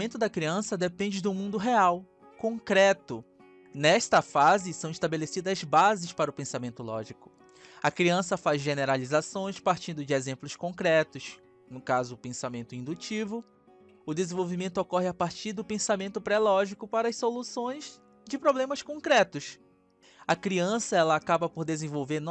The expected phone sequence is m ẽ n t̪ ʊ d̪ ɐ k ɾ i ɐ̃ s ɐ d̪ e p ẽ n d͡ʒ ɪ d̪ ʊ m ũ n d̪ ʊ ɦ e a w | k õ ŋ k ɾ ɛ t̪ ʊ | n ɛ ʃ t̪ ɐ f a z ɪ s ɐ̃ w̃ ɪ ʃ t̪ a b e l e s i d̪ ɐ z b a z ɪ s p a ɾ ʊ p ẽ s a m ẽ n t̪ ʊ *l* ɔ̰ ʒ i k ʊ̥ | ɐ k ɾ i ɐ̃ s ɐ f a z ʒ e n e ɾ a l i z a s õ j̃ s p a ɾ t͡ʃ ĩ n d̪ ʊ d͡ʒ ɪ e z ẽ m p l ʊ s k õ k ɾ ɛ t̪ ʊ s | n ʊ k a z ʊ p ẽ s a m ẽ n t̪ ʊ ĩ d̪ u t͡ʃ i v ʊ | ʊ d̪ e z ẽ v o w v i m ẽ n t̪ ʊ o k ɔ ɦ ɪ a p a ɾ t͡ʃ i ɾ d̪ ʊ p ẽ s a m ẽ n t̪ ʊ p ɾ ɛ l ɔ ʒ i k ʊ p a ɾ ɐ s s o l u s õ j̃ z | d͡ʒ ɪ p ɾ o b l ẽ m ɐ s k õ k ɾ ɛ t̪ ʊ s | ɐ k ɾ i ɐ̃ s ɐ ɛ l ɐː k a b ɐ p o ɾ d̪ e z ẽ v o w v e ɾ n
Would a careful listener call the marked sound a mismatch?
no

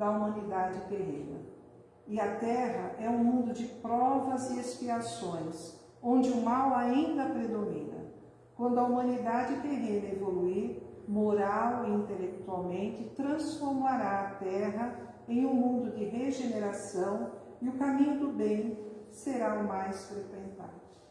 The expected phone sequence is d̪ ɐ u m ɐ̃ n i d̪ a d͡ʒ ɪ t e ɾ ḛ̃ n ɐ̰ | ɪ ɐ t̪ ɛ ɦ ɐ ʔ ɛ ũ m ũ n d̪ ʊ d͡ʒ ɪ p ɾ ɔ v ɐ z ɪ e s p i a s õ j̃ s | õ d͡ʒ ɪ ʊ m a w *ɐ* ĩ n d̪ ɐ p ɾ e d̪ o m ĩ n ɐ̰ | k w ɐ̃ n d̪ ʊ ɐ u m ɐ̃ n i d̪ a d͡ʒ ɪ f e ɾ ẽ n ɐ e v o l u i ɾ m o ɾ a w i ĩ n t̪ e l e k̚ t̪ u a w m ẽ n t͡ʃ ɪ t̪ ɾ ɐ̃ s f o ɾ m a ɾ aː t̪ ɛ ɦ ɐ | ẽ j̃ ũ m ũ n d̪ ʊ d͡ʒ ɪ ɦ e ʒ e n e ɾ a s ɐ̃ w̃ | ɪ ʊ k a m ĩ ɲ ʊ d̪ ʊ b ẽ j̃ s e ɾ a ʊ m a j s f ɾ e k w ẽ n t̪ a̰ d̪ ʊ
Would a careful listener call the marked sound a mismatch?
yes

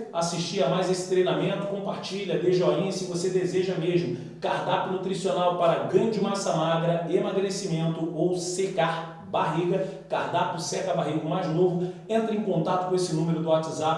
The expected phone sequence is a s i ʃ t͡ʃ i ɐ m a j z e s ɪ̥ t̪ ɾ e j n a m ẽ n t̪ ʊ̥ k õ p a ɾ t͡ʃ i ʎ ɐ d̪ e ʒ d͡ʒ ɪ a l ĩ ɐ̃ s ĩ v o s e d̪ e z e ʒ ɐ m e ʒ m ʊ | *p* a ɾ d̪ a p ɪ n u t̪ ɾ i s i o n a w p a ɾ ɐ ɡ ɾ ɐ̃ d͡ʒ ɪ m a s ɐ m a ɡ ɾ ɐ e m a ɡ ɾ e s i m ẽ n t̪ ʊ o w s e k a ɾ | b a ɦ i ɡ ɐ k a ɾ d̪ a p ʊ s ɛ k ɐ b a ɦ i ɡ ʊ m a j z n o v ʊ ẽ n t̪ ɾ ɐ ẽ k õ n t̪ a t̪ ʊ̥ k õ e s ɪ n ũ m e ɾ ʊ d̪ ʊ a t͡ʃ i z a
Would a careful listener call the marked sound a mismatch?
yes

